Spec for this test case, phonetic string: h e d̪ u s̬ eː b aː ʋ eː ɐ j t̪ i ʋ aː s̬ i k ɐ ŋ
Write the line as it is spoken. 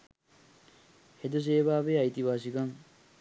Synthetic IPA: h e d̪ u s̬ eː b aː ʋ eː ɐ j t̪ i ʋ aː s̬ i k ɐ ŋ